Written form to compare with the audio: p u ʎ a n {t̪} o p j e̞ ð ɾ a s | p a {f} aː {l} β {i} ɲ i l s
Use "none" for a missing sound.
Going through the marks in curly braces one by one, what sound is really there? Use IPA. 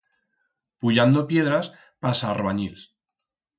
d̪, s, r, a

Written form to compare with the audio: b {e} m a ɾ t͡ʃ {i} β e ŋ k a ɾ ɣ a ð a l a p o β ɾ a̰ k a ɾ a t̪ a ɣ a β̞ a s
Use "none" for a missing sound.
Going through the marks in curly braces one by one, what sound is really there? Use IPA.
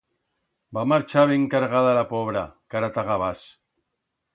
a, a

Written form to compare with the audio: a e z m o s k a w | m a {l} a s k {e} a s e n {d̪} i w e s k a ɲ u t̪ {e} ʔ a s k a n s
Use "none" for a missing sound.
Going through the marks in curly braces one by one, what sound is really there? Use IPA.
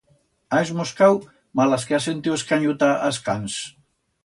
l, e, t̪, a

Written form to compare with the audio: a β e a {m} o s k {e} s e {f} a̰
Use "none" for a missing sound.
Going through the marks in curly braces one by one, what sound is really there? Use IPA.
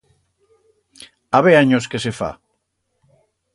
ɲ, e, f

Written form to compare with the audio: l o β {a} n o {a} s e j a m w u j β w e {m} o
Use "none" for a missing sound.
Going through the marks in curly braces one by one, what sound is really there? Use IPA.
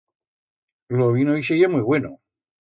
i, i, n

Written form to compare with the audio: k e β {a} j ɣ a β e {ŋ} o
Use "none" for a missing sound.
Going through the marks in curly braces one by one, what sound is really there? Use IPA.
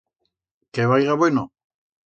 a, n

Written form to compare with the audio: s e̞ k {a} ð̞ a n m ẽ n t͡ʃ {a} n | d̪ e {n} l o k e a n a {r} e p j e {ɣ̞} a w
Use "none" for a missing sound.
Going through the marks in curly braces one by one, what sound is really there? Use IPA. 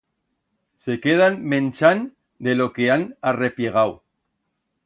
e, a, none, r, ɣ̞

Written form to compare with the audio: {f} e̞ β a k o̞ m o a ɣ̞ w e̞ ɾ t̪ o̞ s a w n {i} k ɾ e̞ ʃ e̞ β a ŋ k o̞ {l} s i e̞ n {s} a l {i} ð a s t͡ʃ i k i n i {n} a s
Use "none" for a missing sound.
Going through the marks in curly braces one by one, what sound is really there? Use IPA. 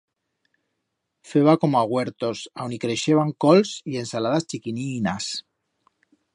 f, i, l, s, a, n

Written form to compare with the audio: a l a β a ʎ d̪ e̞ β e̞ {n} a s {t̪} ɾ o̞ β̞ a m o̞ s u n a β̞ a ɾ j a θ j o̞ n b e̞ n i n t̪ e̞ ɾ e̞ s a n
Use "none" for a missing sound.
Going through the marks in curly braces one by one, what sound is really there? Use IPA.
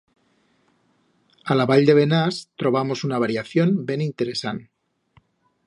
n, t̪

